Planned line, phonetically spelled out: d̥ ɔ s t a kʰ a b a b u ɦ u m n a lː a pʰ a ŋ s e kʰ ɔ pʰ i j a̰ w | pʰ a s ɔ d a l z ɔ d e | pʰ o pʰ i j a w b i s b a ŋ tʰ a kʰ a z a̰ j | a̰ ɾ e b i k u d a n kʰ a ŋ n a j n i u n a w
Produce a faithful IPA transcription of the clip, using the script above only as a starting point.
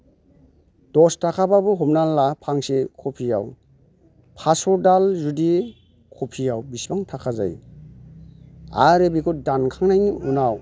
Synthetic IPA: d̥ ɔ s t a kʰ a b a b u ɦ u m n a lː a pʰ a ŋ s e kʰ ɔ pʰ i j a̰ w | pʰ a s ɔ d a l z u d i | kʰ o pʰ i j a w b i s b a ŋ tʰ a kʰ a z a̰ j | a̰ ɾ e b i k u d a n kʰ a ŋ n a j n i u n a w